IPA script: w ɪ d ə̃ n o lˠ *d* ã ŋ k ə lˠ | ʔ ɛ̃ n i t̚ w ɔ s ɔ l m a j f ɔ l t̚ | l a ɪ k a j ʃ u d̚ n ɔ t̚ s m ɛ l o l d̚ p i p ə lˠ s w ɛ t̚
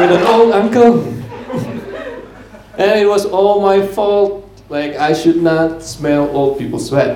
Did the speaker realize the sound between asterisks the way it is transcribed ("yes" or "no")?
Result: yes